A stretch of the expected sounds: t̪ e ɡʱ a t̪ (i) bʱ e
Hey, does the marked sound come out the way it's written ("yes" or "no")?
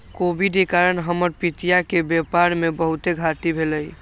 yes